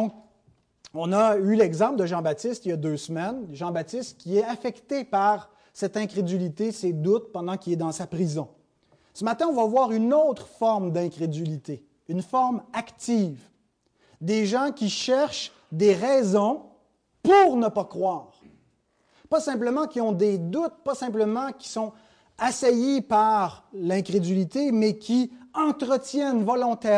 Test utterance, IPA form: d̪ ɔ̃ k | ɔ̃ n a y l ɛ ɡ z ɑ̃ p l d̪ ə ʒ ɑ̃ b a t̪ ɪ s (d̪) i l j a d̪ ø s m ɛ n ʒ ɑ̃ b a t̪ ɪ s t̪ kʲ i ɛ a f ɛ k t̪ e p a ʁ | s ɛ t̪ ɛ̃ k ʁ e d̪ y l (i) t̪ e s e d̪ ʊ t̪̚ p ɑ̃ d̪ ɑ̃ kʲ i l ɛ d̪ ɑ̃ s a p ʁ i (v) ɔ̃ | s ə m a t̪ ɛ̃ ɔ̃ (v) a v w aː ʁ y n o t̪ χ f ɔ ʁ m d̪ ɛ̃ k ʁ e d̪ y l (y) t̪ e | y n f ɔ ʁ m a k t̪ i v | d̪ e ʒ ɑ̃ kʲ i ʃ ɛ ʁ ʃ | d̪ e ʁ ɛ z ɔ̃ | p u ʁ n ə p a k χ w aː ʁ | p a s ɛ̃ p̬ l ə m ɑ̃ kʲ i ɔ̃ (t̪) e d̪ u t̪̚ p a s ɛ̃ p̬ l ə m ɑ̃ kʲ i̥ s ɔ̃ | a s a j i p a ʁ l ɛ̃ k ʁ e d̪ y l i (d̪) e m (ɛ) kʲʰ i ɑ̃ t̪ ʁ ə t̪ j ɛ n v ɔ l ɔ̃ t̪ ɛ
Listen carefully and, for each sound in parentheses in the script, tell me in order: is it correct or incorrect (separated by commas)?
incorrect, correct, incorrect, correct, incorrect, incorrect, incorrect, correct